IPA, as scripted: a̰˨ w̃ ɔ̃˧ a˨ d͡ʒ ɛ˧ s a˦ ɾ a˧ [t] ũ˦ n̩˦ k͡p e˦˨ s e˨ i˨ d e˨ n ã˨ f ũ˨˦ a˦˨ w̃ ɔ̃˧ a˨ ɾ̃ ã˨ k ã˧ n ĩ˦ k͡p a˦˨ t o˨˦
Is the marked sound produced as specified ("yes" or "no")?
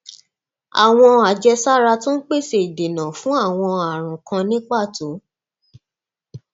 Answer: yes